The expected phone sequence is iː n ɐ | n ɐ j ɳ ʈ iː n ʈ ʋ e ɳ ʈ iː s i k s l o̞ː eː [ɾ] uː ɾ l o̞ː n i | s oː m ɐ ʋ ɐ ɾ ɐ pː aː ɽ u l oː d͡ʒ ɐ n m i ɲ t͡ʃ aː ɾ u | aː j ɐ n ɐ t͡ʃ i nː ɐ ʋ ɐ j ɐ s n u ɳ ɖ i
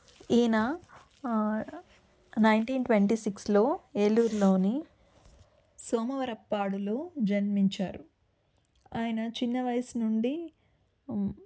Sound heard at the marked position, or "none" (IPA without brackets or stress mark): l